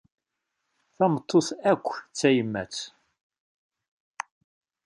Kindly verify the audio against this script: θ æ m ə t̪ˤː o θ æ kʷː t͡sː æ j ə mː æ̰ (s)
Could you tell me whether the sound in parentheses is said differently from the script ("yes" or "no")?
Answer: yes